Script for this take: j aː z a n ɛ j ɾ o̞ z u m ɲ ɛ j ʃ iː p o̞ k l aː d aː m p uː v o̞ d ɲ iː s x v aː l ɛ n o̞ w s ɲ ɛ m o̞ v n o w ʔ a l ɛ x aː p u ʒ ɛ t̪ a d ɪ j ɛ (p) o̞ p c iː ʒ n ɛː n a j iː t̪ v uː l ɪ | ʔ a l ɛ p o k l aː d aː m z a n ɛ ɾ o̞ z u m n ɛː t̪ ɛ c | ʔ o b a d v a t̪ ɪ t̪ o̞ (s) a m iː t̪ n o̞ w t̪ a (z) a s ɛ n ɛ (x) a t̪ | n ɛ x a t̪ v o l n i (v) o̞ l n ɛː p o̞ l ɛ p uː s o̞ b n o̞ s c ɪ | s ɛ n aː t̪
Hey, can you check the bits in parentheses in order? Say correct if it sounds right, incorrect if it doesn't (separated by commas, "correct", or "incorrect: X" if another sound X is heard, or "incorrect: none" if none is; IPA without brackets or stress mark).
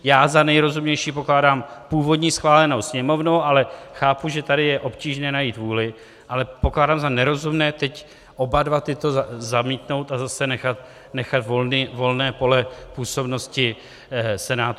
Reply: incorrect: ʔ, incorrect: z, correct, correct, correct